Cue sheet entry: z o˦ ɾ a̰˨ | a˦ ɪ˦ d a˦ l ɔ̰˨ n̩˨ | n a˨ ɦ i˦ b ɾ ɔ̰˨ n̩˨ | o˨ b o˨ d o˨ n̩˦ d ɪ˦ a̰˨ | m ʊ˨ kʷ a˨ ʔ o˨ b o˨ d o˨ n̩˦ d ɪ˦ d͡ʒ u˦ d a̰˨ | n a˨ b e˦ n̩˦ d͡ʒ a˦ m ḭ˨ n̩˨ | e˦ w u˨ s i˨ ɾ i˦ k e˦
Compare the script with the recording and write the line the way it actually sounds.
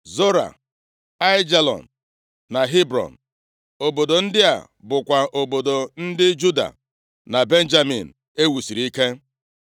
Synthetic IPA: z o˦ ɾ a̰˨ | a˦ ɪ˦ d͡ʒ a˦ l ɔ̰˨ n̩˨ | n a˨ ɦ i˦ b ɾ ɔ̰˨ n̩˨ | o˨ b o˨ d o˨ n̩˦ d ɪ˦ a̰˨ | b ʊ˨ kʷ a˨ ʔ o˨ b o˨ d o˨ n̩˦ d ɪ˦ d͡ʒ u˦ d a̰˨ | n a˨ b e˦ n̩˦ d͡ʒ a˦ m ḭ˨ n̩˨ | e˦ w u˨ s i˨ ɾ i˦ k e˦